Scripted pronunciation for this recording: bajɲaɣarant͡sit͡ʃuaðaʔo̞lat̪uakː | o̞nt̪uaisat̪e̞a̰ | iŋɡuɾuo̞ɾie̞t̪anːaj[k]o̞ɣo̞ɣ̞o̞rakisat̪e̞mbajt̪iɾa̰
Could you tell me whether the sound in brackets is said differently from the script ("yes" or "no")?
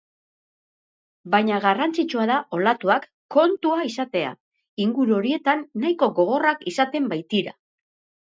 no